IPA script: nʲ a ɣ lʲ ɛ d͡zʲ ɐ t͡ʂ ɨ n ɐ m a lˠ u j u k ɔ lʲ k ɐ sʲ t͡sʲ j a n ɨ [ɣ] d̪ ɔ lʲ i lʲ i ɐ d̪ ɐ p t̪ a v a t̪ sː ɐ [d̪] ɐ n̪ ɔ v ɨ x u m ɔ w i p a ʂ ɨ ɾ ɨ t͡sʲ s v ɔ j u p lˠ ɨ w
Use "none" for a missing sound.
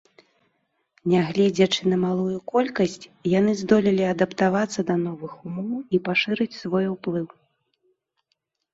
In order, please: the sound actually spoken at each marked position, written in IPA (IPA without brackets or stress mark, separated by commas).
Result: z, d̪